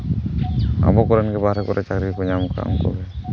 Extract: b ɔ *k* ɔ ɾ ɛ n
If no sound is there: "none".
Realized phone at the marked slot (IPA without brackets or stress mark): k